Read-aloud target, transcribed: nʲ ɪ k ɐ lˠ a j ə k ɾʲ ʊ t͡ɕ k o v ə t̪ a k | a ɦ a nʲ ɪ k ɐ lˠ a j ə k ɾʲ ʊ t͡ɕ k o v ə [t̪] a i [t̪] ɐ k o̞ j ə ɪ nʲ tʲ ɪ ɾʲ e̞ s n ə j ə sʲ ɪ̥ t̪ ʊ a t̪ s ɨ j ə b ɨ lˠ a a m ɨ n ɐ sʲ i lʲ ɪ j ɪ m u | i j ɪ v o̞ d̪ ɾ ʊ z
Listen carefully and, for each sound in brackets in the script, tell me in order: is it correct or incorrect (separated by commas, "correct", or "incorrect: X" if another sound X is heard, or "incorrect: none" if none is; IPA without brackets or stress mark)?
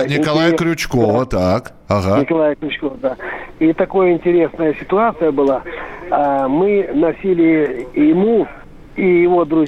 incorrect: d̪, correct